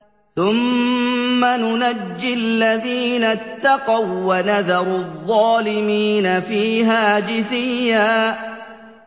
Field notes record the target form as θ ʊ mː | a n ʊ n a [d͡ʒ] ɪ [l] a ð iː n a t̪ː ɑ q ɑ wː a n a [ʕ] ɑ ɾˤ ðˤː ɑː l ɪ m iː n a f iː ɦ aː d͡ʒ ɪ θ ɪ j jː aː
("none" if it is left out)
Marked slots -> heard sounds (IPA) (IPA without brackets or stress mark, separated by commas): d͡ʒː, lː, ð